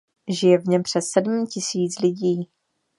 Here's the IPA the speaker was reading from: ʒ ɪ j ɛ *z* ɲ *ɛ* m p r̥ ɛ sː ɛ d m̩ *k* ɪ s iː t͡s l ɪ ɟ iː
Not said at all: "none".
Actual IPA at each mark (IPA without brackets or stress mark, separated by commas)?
v, ɛ, c